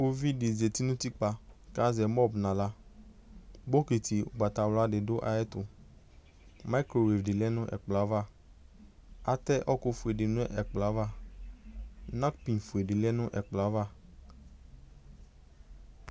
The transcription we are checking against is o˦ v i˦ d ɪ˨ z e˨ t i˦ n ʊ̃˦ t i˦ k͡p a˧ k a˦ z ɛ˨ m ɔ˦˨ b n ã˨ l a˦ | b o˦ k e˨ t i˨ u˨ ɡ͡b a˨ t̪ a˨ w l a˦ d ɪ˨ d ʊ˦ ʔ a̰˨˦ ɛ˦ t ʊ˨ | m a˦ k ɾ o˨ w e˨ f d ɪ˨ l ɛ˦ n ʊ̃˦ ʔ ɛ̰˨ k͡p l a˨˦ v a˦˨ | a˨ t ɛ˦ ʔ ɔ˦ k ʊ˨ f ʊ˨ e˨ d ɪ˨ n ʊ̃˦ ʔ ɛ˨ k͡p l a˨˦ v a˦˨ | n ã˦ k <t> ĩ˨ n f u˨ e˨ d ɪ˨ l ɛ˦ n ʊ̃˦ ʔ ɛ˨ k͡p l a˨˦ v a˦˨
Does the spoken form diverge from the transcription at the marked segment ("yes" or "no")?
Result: yes